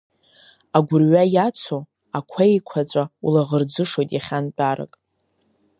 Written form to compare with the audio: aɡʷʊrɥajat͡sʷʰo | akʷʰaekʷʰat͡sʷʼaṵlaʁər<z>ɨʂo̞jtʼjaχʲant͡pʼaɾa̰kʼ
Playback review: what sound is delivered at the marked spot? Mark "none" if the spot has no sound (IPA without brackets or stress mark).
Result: d͡z